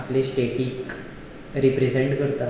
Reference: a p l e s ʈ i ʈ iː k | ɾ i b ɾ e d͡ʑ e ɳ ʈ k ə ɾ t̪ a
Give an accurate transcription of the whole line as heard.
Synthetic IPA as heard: a p l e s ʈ e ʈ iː k | ɾ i p ɾ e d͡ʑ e ɳ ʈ k ə ɾ t̪ a